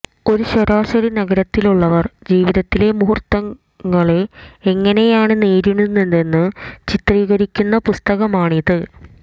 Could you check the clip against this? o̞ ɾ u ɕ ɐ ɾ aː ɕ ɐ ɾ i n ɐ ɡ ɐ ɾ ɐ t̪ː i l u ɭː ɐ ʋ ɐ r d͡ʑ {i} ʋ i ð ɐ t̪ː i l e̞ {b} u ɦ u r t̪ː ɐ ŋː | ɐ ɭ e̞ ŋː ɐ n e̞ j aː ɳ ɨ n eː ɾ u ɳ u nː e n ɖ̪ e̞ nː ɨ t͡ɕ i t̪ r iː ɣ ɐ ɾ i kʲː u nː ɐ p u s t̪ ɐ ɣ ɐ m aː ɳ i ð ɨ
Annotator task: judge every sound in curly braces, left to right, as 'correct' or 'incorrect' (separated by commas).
incorrect, incorrect